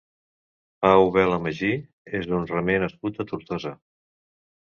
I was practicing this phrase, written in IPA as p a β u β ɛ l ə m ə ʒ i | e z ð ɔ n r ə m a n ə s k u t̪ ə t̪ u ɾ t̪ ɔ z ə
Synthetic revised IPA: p a u β ɛ l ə m ə ʒ i | e z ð u n r ə m e n ə s k u t̪ ə t̪ u ɾ t̪ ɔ z ə